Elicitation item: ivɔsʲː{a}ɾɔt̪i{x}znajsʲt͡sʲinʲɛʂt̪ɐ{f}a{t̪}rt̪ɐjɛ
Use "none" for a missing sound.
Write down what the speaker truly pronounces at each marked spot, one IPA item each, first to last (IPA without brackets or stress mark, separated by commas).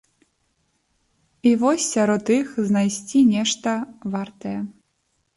a, x, v, none